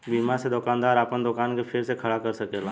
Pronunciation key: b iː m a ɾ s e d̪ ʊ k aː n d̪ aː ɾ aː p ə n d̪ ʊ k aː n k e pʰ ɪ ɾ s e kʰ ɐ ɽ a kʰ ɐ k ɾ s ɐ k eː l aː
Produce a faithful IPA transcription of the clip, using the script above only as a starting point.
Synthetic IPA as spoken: b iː m a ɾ s e d̪ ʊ k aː n d̪ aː ɾ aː p ə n d̪ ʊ k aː n k e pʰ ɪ ɾ s e kʰ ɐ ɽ a k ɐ ɾ s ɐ k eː l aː